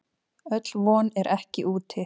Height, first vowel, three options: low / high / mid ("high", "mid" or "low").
mid